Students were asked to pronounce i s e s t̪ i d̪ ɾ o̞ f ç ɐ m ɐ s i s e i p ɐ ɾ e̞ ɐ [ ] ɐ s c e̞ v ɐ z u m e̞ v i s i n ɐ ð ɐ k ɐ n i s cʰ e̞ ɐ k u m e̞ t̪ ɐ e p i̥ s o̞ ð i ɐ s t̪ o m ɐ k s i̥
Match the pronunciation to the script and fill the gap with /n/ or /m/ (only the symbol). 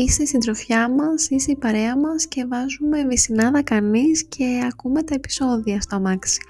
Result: m